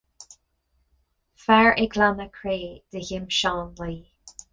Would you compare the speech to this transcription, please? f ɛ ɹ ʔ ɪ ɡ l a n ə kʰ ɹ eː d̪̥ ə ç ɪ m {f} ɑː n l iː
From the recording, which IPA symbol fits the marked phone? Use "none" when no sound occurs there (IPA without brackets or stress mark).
ʃ